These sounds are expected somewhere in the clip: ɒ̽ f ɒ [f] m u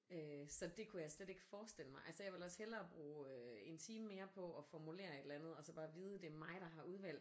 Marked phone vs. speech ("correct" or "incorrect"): incorrect